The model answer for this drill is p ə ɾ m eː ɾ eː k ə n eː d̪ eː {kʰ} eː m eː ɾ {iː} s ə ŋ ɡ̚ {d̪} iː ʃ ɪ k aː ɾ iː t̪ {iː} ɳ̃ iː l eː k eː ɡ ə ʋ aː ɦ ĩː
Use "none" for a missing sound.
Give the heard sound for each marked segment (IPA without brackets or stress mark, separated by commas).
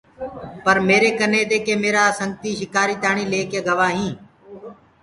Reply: k, aː, t̪, aː